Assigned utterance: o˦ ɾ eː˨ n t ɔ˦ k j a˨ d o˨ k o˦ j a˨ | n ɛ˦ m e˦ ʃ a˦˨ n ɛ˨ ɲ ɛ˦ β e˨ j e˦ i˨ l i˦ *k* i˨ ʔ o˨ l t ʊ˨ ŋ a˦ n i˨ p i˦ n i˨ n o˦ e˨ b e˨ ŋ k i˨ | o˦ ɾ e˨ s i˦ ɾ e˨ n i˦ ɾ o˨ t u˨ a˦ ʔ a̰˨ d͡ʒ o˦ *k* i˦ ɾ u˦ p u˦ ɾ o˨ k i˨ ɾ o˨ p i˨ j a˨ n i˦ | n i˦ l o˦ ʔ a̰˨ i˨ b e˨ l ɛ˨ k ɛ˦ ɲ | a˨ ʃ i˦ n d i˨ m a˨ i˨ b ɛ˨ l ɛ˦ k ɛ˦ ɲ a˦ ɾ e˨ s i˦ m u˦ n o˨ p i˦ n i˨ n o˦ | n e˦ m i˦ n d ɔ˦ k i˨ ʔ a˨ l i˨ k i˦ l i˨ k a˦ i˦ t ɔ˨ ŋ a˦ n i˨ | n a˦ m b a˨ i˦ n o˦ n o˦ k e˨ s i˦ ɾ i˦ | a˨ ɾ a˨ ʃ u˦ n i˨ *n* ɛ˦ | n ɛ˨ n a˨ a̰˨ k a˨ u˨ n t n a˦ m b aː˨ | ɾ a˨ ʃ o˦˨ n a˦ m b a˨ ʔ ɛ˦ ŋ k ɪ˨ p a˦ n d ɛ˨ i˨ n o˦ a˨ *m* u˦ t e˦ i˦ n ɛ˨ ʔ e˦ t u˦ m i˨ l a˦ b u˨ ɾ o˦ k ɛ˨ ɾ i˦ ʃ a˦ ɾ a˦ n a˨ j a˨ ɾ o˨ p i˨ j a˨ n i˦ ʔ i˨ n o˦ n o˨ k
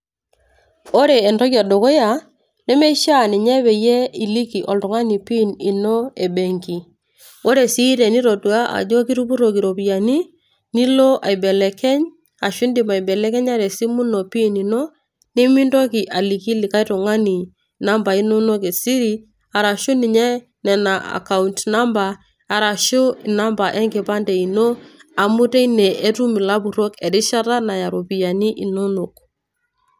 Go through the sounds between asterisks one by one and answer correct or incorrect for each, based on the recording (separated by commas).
correct, correct, incorrect, correct